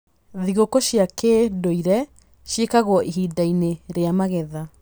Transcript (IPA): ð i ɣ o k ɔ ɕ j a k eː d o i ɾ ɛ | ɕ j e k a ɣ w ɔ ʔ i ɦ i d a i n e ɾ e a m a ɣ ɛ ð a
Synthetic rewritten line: ð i ɣ o k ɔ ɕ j a k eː d o i ɾ ɛ | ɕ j e k a ɣ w ɔ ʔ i ɦ i d a i n e ɾ e a m a ɣ ɛ ð a